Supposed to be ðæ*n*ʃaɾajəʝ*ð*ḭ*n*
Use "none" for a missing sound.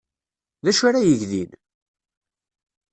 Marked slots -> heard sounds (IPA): none, ð, n

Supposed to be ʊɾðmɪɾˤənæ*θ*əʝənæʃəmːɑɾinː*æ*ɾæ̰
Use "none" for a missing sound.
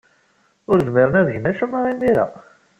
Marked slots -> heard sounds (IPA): ð, i

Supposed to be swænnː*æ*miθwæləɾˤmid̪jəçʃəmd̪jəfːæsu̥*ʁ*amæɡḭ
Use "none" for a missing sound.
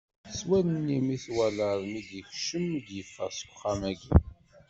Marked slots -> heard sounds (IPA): i, χ

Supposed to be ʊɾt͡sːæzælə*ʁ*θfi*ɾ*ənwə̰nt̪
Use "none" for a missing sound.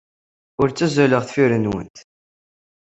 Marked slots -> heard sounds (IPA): ʁ, ɾ

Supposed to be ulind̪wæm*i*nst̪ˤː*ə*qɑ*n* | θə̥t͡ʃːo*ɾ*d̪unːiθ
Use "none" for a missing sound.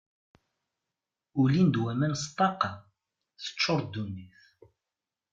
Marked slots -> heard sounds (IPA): æ, ɑ, none, ɾ

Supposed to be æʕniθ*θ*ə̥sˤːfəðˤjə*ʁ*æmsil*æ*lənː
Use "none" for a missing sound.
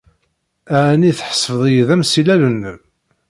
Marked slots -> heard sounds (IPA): ħ, ð, æ

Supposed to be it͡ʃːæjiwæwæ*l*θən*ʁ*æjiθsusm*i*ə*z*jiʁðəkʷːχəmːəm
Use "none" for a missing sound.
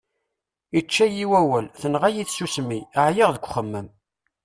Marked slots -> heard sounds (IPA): l, ʁ, i, ʕ

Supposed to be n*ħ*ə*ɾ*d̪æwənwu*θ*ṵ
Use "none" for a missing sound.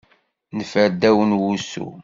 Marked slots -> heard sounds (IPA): f, ɾ, s

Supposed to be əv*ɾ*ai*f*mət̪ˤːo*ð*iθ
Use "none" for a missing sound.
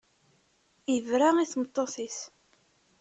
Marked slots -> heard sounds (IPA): ɾ, θ, θ

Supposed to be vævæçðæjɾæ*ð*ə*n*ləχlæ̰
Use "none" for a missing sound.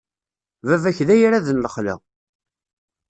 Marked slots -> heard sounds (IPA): ð, n

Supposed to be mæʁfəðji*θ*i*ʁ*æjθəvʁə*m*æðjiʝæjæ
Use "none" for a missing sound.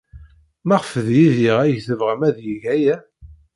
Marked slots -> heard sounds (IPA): ð, ʁ, m

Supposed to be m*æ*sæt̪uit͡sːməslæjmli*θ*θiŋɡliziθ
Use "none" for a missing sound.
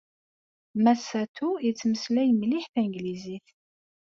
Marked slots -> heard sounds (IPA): æ, ħ

